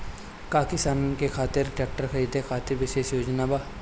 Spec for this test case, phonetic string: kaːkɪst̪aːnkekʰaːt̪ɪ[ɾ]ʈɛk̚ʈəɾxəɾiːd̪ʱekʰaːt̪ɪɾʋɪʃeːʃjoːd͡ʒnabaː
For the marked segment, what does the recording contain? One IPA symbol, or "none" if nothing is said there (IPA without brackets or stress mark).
ɾ